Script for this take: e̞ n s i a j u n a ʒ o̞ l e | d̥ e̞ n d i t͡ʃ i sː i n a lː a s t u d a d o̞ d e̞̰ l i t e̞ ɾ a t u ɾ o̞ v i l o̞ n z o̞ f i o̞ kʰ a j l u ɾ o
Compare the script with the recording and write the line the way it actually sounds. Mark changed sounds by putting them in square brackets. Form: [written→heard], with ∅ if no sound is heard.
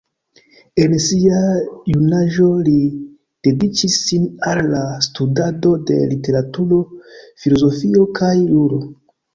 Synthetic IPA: e̞ n s i a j u n a ʒ o̞ l [e→i] | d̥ e̞ [n→∅] d i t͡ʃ i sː i n a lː a s t u d a d o̞ d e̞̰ l i t e̞ ɾ a t u ɾ o̞ [v→f] i l o̞ [n→∅] z o̞ f i o̞ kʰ a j l u ɾ o